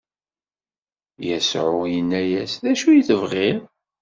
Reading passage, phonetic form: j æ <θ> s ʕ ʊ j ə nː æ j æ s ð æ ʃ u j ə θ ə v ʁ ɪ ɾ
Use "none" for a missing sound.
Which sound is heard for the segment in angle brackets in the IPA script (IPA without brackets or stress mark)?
none